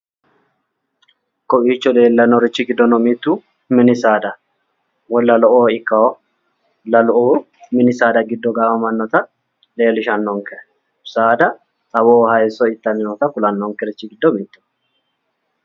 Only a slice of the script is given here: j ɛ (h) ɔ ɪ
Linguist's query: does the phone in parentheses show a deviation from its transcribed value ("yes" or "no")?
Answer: yes